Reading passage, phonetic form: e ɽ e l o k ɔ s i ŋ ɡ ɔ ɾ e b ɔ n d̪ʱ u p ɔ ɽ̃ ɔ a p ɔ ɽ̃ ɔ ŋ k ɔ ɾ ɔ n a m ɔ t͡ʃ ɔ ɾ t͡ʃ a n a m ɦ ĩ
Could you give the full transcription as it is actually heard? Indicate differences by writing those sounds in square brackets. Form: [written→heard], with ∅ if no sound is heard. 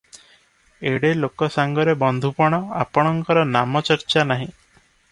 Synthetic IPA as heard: e ɽ e l o k ɔ s [i→a] ŋ ɡ ɔ ɾ e b ɔ n d̪ʱ u p ɔ ɽ̃ ɔ a p ɔ ɽ̃ ɔ ŋ k ɔ ɾ ɔ n a m ɔ t͡ʃ ɔ ɾ t͡ʃ a n a [m→∅] ɦ ĩ